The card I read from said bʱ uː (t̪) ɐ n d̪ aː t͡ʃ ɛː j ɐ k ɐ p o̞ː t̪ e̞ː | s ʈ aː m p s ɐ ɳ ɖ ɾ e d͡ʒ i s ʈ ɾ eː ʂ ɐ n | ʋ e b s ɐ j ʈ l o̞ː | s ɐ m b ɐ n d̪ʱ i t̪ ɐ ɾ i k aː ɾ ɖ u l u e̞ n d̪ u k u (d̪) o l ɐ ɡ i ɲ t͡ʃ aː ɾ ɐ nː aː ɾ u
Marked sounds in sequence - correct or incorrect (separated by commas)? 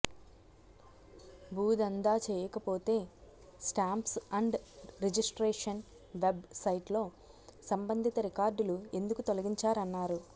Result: incorrect, incorrect